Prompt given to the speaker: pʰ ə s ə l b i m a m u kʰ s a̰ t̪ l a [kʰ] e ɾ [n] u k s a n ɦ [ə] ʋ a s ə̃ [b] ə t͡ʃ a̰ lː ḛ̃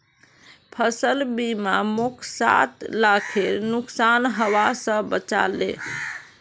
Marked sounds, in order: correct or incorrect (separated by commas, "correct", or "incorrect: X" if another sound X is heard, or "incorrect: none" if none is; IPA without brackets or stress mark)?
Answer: correct, correct, correct, correct